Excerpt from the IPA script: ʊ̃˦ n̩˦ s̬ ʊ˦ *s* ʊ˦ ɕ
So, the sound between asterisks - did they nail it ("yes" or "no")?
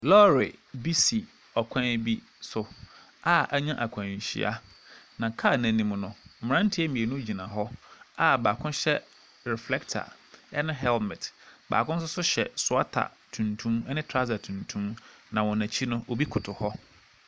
yes